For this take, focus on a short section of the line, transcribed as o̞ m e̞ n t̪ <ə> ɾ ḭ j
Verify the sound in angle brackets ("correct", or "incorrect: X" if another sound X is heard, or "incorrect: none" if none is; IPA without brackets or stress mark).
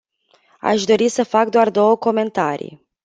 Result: incorrect: a